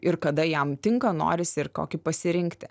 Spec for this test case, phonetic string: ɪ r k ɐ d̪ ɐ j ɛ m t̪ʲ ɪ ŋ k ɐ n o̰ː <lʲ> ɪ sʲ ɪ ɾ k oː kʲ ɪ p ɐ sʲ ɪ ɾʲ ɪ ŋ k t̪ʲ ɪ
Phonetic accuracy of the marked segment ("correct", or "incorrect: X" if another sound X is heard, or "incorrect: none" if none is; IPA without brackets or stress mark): incorrect: ɾʲ